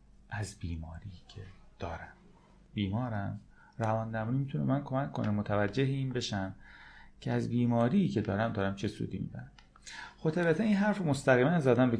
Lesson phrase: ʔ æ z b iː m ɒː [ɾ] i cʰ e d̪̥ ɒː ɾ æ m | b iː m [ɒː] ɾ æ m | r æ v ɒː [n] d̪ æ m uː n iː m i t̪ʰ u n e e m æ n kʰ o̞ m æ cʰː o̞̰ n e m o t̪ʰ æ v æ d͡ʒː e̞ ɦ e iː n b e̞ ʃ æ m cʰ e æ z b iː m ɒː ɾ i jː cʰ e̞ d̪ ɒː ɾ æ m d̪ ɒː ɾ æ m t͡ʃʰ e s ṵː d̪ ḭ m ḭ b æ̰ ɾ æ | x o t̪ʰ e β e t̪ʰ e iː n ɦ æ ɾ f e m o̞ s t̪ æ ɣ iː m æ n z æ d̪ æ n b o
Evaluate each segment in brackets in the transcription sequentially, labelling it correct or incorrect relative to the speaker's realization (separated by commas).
correct, correct, correct